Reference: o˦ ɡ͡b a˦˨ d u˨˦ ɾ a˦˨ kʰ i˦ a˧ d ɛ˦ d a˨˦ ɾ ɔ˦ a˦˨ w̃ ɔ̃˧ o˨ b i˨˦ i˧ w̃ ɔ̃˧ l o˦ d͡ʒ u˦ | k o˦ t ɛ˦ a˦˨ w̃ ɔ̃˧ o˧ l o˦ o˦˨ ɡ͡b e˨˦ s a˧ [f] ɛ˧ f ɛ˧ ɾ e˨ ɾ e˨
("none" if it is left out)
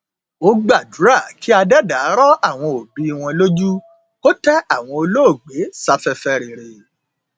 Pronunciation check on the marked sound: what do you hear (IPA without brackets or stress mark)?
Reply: f